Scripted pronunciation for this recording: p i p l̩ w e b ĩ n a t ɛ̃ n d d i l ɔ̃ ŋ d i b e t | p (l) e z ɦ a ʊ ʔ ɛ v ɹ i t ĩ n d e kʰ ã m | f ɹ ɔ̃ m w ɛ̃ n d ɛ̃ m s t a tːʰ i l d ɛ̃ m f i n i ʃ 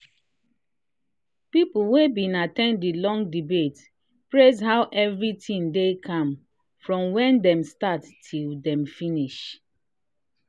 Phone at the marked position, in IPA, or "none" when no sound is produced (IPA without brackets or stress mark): ɹ